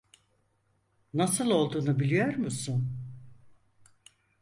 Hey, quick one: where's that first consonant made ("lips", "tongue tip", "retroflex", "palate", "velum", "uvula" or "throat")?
tongue tip